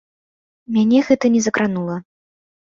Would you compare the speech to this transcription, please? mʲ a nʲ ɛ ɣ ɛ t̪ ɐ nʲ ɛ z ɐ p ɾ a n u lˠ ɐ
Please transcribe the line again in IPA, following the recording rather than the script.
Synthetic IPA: mʲ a nʲ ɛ ɣ ɛ t̪ ɐ nʲ ɛ z ɐ k ɾ a n u lˠ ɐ